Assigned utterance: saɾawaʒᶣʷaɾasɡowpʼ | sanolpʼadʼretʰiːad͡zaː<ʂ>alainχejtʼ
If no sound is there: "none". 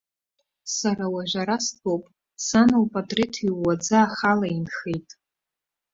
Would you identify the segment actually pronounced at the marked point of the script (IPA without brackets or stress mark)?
χ